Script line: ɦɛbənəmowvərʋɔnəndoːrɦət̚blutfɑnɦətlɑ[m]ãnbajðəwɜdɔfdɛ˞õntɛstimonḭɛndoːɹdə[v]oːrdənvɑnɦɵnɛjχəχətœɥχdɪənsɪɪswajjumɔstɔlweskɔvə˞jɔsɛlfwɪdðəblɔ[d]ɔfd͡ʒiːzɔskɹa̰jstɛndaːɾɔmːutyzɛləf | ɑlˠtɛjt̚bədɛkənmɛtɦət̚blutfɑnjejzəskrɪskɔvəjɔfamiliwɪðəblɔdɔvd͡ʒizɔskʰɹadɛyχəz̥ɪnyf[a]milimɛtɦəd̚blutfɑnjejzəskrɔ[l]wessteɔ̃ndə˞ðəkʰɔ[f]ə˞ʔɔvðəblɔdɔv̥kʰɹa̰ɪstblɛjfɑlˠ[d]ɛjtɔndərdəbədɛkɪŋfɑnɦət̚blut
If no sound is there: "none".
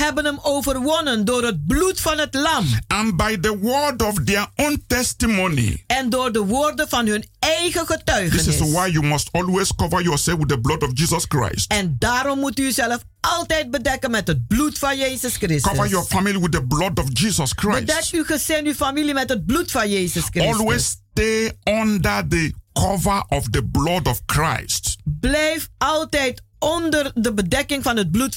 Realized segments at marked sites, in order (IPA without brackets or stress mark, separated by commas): m, ʋ, d, a, l, v, t